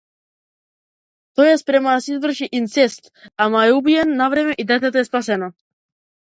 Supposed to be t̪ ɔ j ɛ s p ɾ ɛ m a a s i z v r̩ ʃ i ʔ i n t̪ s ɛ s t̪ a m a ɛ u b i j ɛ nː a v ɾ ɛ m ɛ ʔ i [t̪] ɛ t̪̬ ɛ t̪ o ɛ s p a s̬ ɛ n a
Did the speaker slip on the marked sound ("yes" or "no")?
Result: yes